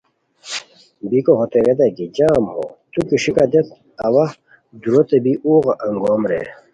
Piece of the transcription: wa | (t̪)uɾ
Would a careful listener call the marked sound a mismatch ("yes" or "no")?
yes